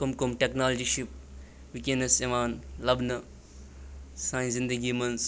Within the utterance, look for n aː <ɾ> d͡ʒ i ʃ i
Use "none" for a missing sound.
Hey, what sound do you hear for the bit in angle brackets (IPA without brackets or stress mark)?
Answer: l